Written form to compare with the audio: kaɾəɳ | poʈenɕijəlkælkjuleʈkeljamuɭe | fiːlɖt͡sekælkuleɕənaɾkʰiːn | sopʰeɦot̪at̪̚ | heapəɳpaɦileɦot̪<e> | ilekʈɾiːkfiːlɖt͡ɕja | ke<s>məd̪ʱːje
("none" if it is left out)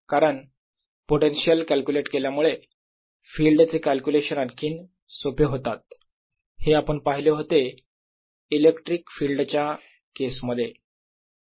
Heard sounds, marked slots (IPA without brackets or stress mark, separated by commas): e, s